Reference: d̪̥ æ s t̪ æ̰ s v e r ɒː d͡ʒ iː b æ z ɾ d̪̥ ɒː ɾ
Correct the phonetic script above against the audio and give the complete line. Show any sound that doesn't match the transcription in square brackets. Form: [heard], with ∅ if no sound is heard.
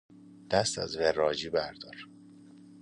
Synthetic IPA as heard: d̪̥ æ s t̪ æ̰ [z] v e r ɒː d͡ʒ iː b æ [∅] ɾ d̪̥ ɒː ɾ